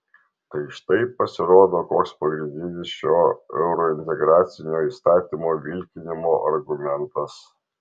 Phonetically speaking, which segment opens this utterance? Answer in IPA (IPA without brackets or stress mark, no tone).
t̪